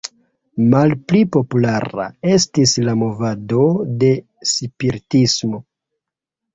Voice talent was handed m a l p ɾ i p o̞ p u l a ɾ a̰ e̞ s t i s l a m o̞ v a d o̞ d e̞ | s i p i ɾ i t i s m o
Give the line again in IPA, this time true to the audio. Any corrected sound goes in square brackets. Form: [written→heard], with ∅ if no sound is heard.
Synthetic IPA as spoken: m a l p [ɾ→l] i p o̞ p u l a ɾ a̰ e̞ s t i s l a m o̞ v a d o̞ d e̞ | s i p i ɾ i t i s m o